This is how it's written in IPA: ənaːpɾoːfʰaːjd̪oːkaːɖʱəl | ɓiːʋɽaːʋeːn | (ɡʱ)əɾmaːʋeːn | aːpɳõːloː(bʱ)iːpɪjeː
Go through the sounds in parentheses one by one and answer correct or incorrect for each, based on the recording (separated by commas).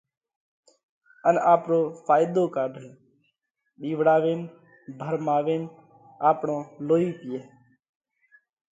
incorrect, incorrect